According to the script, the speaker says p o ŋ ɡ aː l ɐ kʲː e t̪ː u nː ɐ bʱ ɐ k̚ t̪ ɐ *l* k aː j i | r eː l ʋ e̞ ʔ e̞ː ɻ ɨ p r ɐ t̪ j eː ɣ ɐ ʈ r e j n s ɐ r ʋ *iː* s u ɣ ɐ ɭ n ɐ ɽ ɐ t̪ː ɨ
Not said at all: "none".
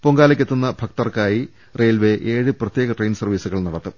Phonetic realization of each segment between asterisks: r, iː

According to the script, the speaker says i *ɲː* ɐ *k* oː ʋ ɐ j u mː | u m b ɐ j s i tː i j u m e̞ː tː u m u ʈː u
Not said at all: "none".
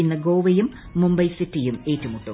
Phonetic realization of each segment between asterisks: nː, ɡ

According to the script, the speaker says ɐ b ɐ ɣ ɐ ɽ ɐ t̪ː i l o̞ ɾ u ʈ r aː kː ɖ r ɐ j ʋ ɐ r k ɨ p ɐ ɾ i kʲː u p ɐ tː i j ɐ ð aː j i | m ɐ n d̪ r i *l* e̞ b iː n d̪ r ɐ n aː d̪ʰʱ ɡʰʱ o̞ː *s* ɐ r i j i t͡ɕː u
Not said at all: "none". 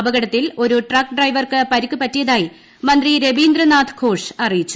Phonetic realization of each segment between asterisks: ɾ, ʂ

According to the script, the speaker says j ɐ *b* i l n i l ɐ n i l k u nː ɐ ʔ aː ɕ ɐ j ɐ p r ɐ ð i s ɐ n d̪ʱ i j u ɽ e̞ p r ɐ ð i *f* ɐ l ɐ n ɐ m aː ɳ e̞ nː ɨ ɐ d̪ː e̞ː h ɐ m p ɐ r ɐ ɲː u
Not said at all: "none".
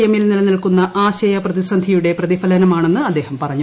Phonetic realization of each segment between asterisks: m, f

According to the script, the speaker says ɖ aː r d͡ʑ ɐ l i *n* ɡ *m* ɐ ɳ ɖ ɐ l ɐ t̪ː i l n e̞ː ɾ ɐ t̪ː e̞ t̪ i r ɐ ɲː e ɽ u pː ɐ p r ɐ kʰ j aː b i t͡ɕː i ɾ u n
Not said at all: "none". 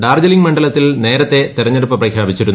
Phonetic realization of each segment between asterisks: ŋ, m

